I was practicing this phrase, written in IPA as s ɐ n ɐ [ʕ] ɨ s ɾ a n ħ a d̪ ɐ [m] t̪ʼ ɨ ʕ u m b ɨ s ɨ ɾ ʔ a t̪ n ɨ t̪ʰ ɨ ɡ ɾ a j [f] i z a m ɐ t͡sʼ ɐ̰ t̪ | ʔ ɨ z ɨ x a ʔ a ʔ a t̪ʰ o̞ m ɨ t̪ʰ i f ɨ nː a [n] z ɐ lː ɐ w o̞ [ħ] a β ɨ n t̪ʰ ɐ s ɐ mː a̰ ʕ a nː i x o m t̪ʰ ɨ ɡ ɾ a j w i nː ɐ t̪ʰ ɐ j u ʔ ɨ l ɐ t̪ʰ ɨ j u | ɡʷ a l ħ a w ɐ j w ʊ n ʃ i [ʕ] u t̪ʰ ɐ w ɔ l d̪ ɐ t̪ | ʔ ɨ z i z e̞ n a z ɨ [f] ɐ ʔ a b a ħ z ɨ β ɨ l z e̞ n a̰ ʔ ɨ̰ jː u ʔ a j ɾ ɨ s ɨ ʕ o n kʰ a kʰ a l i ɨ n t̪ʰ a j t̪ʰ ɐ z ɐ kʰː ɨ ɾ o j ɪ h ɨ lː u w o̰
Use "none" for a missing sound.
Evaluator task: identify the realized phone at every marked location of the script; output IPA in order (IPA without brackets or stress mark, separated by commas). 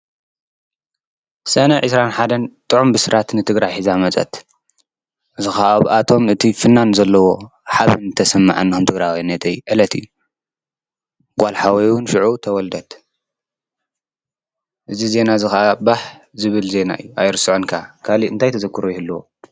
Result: ʕ, n, ħ, n, ħ, ʕ, x